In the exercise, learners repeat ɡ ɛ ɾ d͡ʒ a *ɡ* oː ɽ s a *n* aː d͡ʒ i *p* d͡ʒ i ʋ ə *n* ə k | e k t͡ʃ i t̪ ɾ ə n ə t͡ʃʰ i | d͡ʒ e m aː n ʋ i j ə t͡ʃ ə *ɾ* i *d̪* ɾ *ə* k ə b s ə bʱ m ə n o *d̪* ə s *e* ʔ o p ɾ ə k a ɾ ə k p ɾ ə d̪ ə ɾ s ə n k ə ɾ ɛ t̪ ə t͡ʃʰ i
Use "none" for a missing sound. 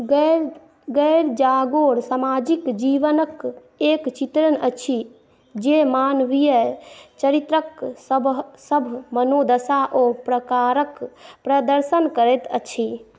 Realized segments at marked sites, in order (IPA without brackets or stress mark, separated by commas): ɡ, m, k, n, ɾ, t̪, ə, d̪, a